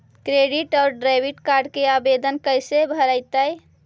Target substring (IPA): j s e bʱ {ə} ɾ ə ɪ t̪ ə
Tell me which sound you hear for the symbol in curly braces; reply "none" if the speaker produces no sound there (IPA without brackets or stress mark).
ə